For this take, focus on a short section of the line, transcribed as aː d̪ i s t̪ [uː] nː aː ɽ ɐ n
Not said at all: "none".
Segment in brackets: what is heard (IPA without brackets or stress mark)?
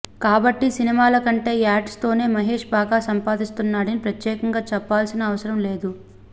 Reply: u